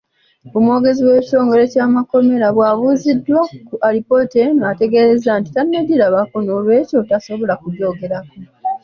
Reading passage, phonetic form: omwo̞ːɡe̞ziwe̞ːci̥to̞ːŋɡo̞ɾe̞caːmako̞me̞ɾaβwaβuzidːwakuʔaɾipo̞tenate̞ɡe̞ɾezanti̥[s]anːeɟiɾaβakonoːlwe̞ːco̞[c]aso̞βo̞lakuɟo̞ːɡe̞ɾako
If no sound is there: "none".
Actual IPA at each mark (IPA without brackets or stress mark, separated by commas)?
t, t